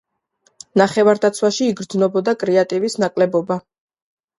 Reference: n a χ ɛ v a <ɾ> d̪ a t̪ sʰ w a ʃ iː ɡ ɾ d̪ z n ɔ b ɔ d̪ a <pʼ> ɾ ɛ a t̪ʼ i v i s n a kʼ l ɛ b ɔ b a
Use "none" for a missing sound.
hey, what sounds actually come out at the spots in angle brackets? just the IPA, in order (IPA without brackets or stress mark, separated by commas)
ɾ, kʼ